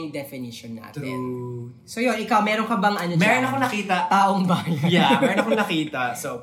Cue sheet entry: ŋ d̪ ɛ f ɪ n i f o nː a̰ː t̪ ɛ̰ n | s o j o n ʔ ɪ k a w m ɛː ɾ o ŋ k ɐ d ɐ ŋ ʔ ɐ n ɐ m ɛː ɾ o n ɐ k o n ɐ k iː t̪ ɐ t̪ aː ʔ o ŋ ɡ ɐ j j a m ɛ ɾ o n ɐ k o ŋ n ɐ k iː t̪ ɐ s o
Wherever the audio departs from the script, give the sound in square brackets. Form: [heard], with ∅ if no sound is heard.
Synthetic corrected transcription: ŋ d̪ ɛ f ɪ n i [ʃ] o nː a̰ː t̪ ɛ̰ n | s o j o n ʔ ɪ k a w m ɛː ɾ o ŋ k ɐ [b] ɐ ŋ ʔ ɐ n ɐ m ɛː ɾ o n ɐ k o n ɐ k iː t̪ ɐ t̪ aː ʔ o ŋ [b] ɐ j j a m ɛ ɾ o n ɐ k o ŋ n ɐ k iː t̪ ɐ s o